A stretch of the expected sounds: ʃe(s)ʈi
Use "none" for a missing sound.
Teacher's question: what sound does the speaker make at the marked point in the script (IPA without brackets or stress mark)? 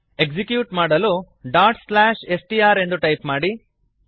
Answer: s